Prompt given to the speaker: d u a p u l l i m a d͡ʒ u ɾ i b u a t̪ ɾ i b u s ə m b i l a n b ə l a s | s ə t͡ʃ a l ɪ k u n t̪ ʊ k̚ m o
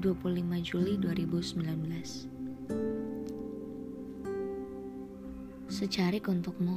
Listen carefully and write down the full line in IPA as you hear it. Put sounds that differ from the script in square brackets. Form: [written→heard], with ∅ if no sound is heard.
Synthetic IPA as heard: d u a p u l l i m a d͡ʒ u [ɾ→l] i [b→d] u a [t̪→∅] ɾ i b u s ə m b i l a n b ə l a s | s ə t͡ʃ a [l→ɾ] ɪ k u n t̪ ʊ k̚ m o